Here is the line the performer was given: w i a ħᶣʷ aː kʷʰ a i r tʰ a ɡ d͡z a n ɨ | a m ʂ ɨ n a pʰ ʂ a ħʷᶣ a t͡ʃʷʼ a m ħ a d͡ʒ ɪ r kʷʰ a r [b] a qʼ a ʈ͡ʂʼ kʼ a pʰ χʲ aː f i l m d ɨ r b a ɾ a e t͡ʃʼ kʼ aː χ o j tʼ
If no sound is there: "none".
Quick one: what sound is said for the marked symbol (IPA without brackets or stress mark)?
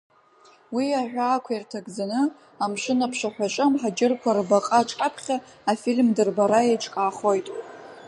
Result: b